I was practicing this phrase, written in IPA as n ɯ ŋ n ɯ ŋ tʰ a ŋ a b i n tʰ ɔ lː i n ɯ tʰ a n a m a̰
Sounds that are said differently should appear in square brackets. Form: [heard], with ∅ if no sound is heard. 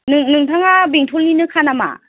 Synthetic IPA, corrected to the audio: n ɯ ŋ n ɯ ŋ tʰ a ŋ a b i [ŋ] tʰ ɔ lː i n ɯ [kʰ] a n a m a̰